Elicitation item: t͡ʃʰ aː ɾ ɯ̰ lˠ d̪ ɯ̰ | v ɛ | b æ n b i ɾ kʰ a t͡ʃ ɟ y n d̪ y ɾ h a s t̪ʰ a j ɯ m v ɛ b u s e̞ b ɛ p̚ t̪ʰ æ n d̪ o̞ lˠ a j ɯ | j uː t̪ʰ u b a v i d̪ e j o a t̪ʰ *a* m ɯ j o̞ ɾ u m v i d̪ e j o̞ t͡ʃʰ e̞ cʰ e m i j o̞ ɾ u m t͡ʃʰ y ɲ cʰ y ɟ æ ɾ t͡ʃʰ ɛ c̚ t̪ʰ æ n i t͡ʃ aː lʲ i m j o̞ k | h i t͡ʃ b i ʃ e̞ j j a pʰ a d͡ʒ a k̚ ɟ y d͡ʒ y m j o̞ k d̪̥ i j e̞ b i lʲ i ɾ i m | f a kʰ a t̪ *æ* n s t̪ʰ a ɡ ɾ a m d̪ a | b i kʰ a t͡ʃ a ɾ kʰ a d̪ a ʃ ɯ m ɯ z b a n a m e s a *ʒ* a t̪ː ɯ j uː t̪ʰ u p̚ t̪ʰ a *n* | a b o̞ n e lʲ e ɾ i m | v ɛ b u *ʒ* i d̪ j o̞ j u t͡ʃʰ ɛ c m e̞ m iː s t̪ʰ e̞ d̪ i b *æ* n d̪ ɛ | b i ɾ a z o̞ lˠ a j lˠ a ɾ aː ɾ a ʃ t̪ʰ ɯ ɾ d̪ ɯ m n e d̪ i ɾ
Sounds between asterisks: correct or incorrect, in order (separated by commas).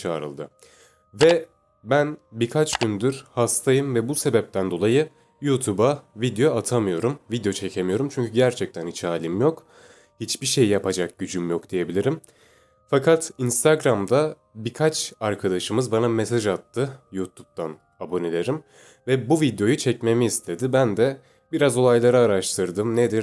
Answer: correct, incorrect, correct, correct, incorrect, correct